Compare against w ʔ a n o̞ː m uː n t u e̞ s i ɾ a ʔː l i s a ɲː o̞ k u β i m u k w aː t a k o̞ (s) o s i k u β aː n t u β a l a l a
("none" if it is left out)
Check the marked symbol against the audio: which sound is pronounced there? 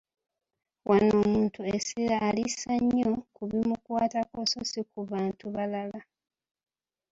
s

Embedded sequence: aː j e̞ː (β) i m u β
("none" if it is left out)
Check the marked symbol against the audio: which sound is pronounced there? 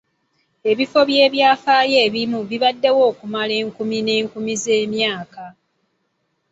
β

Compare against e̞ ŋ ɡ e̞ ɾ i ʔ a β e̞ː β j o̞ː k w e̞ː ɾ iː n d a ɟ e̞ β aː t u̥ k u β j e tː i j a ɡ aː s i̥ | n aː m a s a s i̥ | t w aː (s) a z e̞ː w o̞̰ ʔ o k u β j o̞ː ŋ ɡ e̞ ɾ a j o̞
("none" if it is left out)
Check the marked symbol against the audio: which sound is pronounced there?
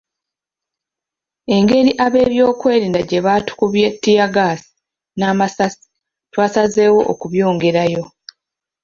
s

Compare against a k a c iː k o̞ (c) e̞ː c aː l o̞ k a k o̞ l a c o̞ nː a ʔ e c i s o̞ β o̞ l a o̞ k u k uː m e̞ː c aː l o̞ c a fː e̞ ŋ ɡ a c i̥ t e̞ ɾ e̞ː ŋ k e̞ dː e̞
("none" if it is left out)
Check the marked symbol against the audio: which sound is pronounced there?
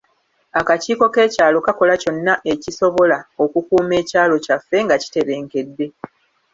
k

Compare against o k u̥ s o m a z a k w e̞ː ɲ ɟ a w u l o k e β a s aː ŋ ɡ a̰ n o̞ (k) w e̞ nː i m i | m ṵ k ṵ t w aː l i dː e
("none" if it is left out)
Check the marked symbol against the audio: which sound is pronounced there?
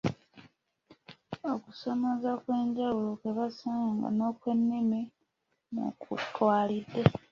k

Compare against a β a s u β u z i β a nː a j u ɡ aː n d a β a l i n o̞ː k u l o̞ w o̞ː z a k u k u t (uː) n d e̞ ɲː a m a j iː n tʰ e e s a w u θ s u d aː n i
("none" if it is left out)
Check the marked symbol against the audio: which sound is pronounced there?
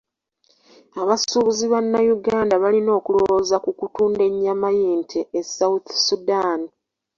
uː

